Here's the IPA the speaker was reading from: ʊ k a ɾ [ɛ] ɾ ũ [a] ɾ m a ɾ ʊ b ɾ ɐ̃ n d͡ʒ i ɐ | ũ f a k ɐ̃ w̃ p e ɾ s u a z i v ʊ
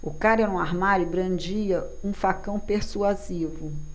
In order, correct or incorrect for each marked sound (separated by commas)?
correct, correct